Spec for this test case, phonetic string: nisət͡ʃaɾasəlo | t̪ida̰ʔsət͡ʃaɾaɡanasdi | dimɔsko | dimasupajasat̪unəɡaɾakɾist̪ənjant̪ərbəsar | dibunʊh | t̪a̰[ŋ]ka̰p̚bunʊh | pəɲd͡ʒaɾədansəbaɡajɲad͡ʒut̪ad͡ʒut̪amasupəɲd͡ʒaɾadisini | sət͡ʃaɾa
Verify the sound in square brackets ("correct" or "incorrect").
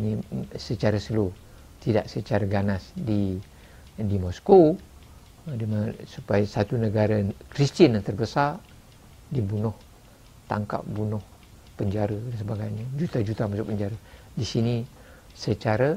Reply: correct